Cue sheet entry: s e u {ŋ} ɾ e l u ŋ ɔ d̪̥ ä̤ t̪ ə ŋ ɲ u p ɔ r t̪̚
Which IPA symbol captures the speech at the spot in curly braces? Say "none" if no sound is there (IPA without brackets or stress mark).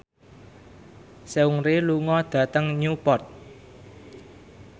ŋ